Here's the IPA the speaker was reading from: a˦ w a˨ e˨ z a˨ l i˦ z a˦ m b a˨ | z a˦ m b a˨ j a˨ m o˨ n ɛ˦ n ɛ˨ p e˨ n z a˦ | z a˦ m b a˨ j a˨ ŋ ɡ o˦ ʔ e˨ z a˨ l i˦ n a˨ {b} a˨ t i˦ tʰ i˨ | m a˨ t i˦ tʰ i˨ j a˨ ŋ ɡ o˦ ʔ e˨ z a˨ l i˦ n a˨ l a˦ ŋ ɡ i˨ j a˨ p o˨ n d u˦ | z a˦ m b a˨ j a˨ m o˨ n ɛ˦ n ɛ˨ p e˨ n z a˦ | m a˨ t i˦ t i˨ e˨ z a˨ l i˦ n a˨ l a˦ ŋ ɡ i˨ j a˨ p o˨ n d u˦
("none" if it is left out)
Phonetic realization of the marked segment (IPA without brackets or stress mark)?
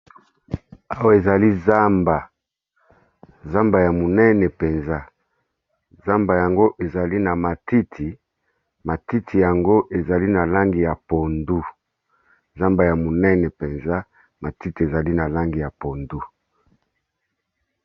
m